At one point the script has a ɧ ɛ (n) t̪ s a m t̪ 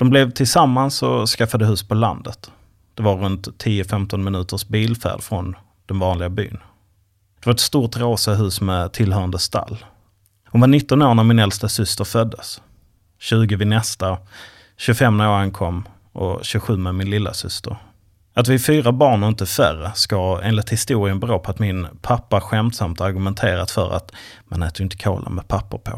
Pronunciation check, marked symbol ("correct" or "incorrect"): incorrect